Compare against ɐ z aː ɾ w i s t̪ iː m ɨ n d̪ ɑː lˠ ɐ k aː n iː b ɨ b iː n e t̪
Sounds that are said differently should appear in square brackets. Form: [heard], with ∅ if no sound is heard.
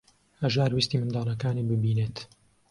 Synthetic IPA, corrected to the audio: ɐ [ʒ] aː ɾ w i s t̪ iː m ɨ n d̪ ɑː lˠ ɐ k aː n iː b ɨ b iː n e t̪